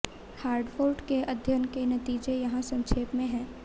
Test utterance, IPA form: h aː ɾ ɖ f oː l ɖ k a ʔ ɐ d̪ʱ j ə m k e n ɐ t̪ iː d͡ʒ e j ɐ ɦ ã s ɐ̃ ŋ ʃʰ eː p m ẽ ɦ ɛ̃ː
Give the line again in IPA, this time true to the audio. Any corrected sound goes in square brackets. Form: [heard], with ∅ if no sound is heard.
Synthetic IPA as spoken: h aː ɾ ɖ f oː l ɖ k [e] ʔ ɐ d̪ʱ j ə [n] k e n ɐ t̪ iː d͡ʒ e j ɐ ɦ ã s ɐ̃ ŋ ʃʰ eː p m ẽ ɦ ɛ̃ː